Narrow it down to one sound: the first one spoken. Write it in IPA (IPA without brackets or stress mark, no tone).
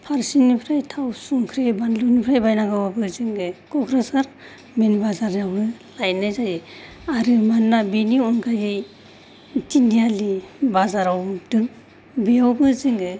pʰ